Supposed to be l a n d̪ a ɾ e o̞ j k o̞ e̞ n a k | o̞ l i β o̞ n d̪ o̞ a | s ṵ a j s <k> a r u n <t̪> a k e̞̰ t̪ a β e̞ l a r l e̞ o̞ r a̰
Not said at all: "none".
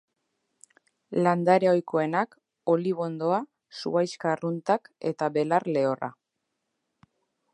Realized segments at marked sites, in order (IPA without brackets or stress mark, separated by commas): k, t̪